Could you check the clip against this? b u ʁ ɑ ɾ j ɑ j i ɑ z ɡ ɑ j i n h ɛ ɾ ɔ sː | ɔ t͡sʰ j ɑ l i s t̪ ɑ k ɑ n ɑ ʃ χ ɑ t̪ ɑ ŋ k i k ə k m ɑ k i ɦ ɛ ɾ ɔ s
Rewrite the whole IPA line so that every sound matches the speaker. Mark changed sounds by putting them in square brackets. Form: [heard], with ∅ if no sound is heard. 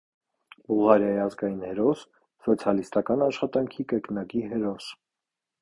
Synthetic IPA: b u ʁ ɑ ɾ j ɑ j i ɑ z ɡ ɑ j i n h ɛ ɾ ɔ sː | ɔ t͡sʰ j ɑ l i s t̪ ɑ k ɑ n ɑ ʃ χ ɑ t̪ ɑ ŋ [kʰ] i k ə k [n] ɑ k i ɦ ɛ ɾ ɔ s

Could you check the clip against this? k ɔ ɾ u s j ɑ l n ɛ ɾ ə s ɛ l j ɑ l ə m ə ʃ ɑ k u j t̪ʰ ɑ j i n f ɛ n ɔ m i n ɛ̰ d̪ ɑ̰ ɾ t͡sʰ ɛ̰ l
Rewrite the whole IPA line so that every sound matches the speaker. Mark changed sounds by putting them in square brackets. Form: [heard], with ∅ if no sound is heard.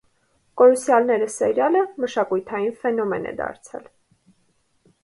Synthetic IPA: k ɔ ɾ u s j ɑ l n ɛ ɾ ə s ɛ [ɾ] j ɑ l ə m ə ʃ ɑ k u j t̪ʰ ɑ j i n f ɛ n ɔ m [ɛ] n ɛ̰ d̪ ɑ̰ ɾ t͡sʰ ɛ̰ l

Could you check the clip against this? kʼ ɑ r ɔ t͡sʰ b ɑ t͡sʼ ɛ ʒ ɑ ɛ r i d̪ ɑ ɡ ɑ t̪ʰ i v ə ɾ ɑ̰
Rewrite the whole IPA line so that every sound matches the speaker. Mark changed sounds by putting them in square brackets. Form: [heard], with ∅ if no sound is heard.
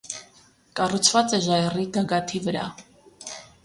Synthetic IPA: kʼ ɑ r [u] t͡sʰ [v] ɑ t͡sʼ ɛ ʒ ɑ ɛ r i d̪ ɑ ɡ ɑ t̪ʰ i v ə ɾ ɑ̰

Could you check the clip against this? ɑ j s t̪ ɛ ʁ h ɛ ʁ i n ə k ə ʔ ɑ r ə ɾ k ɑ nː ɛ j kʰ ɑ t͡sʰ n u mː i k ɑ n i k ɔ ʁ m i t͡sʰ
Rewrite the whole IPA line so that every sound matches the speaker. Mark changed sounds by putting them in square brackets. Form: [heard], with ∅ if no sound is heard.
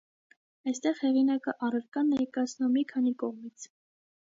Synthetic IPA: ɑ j s t̪ ɛ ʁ h ɛ ʁ i n [ɑ] k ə ʔ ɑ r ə ɾ k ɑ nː ɛ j [k] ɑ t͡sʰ n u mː i [kʰ] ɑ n i k ɔ ʁ m i t͡sʰ

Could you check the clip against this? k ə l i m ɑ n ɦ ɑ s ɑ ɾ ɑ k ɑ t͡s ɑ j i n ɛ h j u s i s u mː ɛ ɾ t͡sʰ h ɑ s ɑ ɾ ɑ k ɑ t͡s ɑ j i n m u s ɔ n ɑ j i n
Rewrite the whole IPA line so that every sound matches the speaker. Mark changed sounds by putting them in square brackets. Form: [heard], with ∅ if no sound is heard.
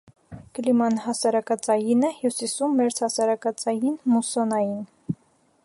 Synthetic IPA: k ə l i m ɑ n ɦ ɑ s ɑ ɾ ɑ k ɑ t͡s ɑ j i n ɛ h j u s i s u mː ɛ ɾ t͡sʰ h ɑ s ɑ ɾ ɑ k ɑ t͡s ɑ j i n m u s ɔ n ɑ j i n

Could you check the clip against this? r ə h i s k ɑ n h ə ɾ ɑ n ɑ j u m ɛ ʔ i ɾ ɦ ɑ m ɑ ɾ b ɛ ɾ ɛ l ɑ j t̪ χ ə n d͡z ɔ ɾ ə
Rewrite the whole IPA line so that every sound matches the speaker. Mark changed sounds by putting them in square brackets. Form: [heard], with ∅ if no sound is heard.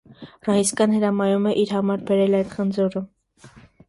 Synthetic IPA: r [ɑ] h i s k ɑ n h ə ɾ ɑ [m] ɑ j u m ɛ ʔ i ɾ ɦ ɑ m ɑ ɾ b ɛ ɾ ɛ l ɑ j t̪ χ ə n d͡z ɔ ɾ ə

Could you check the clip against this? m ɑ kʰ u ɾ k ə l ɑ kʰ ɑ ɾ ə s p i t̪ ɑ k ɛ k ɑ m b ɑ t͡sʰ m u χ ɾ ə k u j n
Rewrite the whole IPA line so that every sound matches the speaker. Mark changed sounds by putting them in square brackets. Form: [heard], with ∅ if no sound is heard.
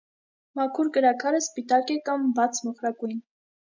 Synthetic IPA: m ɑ kʰ u ɾ k ə [ɾ] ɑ kʰ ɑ ɾ ə s p i t̪ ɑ k ɛ k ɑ m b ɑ t͡sʰ m [ɔ] χ ɾ [ɑ] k u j n

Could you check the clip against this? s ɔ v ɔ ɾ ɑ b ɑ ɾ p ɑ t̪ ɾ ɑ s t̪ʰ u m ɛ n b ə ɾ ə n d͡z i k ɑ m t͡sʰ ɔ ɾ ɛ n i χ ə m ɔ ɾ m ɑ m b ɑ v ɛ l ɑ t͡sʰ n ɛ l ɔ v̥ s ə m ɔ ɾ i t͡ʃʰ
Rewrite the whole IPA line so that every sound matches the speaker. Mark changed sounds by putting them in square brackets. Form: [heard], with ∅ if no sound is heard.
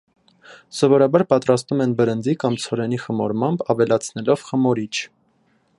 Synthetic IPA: s ɔ v ɔ ɾ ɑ b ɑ ɾ p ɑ t̪ ɾ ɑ s [t̪] u m ɛ n b ə ɾ ə n d͡z i k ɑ m t͡sʰ ɔ ɾ ɛ n i χ ə m ɔ ɾ m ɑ m b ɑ v ɛ l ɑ t͡sʰ n ɛ l ɔ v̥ [χ] ə m ɔ ɾ i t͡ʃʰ

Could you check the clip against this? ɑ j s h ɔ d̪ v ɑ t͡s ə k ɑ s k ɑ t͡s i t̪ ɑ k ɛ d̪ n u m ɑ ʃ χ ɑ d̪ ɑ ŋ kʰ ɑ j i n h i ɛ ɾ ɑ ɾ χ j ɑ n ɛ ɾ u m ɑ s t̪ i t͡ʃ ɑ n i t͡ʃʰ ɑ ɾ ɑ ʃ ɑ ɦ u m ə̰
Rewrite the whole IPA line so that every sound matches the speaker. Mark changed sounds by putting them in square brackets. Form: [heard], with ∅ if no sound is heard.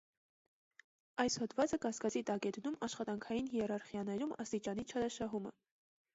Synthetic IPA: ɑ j s h ɔ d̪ v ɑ t͡s ə k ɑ s k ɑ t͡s i t̪ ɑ k ɛ d̪ n u m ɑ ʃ χ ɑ [t̪] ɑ ŋ kʰ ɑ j i n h i ɛ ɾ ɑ ɾ χ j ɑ n ɛ ɾ u m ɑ s t̪ i t͡ʃ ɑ n i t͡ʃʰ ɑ ɾ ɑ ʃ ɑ ɦ u m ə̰

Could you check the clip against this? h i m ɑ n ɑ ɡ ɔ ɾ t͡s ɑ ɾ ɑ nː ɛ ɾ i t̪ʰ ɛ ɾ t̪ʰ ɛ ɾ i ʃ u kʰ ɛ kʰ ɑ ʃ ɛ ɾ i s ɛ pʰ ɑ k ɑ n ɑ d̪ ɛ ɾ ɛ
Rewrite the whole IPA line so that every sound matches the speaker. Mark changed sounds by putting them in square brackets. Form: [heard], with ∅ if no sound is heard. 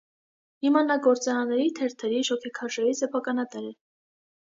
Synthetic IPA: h i m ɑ n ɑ ɡ ɔ ɾ t͡s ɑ ɾ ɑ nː ɛ ɾ i t̪ʰ ɛ ɾ t̪ʰ ɛ ɾ i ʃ [ɔ] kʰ ɛ kʰ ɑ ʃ ɛ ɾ i s ɛ pʰ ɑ k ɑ n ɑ [t̪] ɛ ɾ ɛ

